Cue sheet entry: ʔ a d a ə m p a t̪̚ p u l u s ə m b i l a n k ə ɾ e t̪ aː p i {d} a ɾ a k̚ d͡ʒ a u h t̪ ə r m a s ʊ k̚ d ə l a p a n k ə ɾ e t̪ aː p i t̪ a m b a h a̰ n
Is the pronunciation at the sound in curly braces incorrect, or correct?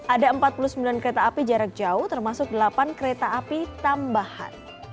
incorrect